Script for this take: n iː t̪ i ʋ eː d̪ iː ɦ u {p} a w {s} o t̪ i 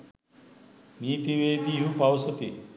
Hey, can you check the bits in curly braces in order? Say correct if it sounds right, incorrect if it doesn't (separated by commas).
correct, correct